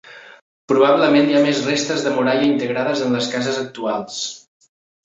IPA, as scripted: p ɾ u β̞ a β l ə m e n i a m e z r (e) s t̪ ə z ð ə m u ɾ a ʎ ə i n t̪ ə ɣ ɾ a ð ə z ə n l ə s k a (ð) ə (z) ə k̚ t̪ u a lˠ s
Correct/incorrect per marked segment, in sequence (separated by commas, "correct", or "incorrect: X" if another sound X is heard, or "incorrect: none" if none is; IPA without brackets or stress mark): correct, incorrect: z, correct